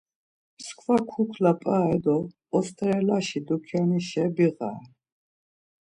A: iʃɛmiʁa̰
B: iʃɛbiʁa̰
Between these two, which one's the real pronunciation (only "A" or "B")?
B